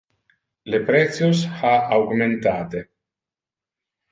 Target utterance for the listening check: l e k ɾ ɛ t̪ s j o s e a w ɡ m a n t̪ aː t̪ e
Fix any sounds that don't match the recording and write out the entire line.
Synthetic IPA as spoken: l e p ɾ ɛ t̪ s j o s a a w ɡ m e n t̪ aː t̪ e